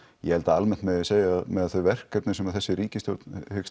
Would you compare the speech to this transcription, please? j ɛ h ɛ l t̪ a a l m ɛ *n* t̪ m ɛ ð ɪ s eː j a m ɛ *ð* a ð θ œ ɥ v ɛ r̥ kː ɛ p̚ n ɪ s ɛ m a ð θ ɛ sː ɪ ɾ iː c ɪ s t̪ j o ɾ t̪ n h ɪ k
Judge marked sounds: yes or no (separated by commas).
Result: yes, yes